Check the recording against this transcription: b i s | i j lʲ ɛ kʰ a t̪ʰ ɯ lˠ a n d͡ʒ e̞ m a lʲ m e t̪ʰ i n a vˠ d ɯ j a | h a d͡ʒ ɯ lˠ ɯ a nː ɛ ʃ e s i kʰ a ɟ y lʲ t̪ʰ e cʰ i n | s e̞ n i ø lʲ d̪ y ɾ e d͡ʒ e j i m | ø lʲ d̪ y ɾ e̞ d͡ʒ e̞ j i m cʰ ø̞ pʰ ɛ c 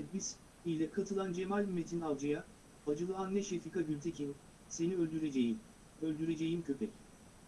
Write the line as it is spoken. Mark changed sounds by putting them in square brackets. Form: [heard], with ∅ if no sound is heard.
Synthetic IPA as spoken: b i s | i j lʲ ɛ kʰ a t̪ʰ ɯ lˠ a n d͡ʒ e̞ m a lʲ m e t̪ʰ i n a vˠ [d͡ʒ] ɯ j a | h a d͡ʒ ɯ lˠ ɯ a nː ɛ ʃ e [f] i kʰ a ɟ y lʲ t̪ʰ e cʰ i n | s e̞ n i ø lʲ d̪ y ɾ e d͡ʒ e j i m | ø lʲ d̪ y ɾ e̞ d͡ʒ e̞ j i m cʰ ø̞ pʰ ɛ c